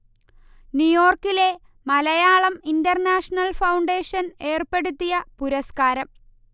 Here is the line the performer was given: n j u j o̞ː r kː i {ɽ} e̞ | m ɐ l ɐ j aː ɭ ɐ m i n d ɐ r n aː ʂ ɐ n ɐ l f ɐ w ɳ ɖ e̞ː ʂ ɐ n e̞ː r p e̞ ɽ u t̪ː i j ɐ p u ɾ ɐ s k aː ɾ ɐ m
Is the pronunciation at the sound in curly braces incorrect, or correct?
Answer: incorrect